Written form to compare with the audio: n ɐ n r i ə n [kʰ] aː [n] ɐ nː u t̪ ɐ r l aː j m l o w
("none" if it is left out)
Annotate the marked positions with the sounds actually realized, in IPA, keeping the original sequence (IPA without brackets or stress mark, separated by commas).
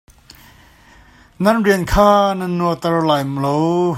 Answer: kʰ, n